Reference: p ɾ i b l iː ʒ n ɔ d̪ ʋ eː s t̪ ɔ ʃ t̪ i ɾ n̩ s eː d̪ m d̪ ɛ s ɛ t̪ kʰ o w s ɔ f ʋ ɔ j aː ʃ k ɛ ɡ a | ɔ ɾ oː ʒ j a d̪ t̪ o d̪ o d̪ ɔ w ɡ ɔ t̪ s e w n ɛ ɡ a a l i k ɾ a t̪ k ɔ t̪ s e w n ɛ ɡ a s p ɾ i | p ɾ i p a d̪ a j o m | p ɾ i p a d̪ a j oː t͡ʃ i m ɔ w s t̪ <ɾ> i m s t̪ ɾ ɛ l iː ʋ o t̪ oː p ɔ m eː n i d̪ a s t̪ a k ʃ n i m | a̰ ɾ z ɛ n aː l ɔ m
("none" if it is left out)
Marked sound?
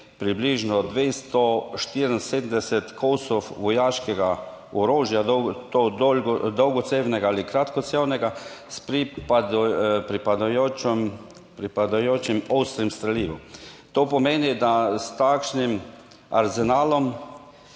ɾ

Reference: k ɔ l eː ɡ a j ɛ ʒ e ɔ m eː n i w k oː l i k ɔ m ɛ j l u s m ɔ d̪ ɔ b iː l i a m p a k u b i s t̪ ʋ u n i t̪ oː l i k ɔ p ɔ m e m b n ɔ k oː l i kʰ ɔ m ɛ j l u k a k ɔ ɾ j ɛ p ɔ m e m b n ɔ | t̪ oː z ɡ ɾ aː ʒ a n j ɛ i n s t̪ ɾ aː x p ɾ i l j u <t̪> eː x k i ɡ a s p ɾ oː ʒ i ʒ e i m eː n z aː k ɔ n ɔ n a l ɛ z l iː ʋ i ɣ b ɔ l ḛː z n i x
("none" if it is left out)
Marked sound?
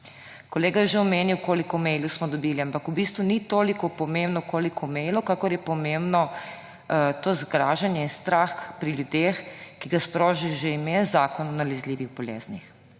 d̪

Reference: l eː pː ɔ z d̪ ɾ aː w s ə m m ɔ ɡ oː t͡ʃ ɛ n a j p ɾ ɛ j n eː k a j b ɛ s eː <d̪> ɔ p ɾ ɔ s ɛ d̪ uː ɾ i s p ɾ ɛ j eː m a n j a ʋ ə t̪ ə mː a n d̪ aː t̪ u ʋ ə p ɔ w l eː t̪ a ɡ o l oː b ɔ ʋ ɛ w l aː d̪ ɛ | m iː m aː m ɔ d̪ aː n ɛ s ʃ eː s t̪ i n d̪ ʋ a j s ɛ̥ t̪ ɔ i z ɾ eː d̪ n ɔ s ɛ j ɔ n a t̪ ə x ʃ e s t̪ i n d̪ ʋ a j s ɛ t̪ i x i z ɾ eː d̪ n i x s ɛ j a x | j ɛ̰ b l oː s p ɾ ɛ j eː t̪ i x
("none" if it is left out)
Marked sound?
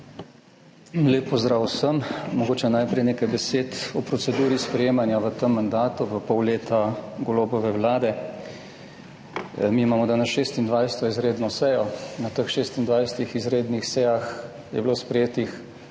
t̪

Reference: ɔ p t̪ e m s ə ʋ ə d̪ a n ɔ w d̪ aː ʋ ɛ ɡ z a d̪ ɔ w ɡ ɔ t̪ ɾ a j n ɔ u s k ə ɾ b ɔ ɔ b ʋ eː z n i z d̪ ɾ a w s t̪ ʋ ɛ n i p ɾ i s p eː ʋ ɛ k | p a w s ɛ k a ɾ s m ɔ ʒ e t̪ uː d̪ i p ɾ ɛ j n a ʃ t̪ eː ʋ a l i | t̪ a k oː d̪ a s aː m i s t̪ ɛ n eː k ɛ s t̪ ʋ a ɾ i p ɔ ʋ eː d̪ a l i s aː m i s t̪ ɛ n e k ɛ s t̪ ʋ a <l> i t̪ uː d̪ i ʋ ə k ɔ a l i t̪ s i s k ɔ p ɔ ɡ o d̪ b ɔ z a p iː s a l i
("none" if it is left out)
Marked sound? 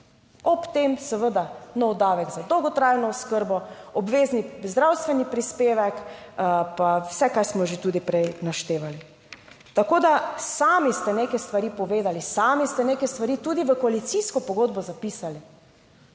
ɾ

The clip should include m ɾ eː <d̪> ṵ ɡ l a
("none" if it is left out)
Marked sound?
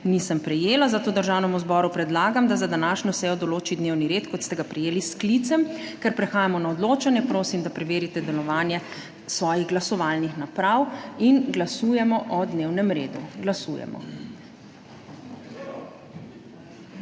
d̪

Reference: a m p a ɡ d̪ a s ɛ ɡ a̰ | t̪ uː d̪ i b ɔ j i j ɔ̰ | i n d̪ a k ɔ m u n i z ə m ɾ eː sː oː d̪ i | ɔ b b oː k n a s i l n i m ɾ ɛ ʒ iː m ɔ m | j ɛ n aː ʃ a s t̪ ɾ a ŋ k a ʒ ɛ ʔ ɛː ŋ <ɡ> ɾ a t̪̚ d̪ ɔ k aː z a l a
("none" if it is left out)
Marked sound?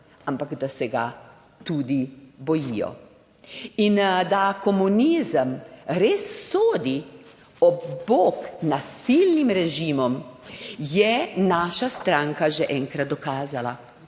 k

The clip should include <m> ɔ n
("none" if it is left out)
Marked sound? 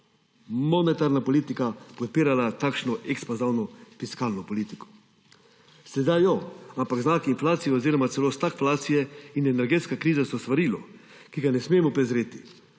m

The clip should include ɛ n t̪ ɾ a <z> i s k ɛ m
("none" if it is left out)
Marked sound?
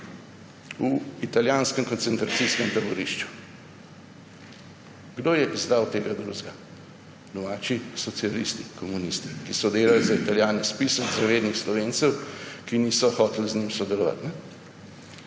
s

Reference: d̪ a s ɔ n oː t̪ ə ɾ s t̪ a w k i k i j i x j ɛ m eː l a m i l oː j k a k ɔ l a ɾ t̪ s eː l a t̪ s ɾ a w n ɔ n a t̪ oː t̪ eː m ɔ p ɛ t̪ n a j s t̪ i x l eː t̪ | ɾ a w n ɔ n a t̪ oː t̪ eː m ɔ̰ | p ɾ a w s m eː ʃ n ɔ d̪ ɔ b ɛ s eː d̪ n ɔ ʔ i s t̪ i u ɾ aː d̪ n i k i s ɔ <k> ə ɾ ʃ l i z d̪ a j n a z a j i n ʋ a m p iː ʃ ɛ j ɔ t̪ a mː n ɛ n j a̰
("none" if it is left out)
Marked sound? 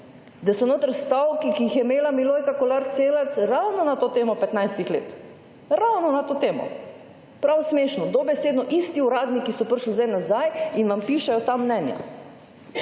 p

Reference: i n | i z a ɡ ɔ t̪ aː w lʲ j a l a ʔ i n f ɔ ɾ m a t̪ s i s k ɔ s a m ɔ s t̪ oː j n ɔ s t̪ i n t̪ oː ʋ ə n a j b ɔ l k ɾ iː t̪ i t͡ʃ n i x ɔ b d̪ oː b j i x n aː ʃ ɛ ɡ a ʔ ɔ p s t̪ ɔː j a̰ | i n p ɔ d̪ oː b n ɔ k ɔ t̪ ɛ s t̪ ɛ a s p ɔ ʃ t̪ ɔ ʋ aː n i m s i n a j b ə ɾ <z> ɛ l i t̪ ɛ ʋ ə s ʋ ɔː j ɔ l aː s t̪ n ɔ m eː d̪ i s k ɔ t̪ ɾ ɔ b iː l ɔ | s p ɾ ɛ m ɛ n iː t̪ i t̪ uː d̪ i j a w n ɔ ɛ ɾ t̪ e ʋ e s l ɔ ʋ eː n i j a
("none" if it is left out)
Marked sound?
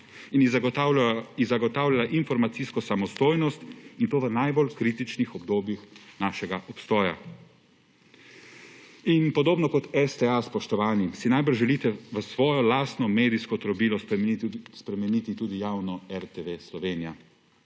ʒ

